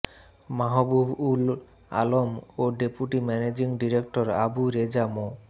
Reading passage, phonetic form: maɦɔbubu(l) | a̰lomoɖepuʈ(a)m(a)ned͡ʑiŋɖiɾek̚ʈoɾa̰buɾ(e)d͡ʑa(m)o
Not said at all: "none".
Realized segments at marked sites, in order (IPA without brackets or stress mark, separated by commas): l, i, ɛ, e, m